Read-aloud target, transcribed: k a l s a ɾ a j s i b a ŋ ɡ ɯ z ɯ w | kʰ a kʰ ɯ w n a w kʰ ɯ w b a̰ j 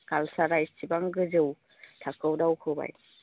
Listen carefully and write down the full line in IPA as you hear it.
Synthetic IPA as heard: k a l s a ɾ a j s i b a ŋ ɡ ɯ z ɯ w | tʰ a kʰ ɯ w d a w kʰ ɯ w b a̰ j